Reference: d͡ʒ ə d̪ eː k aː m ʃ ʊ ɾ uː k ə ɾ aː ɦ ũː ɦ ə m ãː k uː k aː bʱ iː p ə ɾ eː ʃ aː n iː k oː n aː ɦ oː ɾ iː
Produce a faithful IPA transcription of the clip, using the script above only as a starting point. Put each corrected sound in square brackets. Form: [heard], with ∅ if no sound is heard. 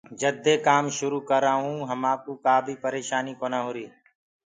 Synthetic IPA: d͡ʒ ə d̪ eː k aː m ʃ ʊ ɾ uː k ə ɾ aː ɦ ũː ɦ ə m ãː k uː k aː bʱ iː p ə ɾ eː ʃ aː n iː k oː n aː ɦ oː ɾ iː